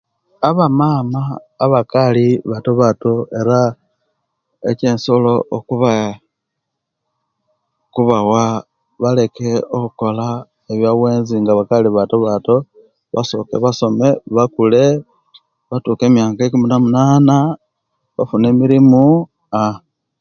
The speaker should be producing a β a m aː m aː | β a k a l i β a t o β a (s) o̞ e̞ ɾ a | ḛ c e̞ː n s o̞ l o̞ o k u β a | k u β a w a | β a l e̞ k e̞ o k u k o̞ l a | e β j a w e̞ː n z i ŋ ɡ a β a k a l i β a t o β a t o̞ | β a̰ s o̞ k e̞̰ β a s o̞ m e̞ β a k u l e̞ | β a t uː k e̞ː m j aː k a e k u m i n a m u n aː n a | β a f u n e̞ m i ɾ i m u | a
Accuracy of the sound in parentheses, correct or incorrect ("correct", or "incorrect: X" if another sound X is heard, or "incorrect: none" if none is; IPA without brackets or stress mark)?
incorrect: t